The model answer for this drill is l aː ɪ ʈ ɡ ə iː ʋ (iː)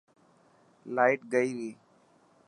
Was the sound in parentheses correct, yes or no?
yes